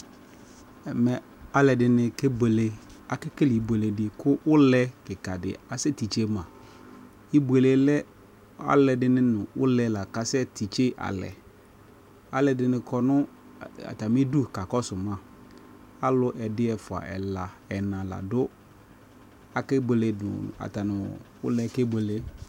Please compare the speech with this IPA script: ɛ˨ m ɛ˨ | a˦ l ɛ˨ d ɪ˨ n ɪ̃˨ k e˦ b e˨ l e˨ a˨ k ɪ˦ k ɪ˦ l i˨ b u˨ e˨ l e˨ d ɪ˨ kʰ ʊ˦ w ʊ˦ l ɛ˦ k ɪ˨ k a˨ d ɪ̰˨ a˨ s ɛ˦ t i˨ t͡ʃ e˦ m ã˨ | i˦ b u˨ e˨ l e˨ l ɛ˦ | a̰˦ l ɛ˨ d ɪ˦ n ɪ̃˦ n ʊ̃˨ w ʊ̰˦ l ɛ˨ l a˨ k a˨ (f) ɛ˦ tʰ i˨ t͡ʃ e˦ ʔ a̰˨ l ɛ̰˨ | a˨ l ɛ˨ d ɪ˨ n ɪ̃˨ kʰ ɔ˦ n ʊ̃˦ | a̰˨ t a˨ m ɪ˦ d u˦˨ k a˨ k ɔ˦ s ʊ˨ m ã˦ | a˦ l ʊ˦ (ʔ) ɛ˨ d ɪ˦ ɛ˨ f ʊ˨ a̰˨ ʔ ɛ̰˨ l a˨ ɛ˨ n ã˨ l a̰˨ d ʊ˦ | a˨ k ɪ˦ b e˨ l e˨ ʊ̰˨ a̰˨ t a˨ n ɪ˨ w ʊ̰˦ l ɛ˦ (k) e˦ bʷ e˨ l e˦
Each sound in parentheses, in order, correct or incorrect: incorrect: s, correct, correct

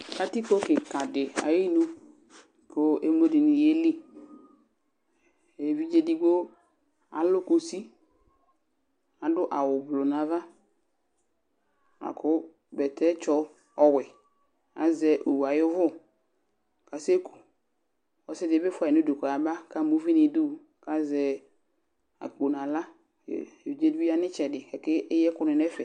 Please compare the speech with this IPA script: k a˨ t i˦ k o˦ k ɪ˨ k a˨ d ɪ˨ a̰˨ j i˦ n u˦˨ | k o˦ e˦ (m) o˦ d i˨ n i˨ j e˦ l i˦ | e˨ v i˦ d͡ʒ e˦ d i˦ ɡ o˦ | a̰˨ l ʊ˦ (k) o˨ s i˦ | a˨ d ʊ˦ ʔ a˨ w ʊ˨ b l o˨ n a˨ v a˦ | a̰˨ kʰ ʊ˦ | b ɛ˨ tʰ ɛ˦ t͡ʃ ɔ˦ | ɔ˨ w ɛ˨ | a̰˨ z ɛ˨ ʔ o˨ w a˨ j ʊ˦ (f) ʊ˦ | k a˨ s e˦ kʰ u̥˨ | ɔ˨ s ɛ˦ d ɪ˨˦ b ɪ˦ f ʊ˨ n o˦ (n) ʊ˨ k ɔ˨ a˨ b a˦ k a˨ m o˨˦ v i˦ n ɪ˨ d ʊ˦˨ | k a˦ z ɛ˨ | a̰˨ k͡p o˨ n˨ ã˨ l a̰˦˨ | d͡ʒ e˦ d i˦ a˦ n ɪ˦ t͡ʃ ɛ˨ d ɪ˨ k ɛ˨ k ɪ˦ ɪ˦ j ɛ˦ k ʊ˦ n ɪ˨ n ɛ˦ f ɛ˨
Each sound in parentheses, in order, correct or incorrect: correct, correct, incorrect: v, incorrect: d

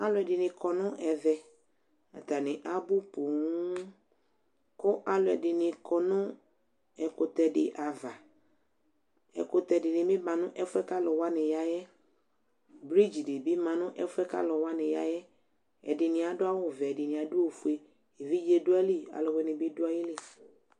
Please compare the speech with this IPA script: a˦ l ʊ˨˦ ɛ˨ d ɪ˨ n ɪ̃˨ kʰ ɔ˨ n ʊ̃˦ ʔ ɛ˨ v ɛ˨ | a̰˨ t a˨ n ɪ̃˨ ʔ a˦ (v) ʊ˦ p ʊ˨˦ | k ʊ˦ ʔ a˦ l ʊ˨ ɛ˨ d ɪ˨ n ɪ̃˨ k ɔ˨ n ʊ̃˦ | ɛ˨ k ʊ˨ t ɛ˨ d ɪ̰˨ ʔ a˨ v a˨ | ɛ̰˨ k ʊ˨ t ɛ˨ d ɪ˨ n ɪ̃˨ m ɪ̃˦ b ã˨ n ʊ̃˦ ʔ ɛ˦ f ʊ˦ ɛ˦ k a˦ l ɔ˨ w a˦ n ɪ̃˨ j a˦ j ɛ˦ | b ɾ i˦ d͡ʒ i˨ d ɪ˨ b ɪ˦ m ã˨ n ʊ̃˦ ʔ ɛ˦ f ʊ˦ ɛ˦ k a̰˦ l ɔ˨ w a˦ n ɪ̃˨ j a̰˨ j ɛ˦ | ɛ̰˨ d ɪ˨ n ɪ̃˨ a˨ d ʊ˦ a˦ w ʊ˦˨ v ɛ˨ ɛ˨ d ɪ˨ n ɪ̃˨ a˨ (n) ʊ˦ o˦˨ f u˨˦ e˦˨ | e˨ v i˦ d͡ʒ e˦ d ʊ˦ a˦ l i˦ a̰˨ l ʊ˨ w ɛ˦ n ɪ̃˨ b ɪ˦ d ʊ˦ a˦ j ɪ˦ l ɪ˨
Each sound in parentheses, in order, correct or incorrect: incorrect: b, incorrect: d

